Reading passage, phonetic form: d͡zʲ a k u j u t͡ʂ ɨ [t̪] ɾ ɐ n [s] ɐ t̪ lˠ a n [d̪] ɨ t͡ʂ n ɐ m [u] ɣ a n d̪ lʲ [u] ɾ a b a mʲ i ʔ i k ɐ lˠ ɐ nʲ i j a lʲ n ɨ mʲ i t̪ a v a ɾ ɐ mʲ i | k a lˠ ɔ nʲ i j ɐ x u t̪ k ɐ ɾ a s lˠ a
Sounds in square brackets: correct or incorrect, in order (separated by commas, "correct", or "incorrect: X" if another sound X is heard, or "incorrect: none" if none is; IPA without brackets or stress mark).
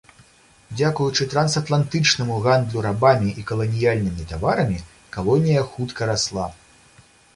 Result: correct, correct, incorrect: t̪, correct, correct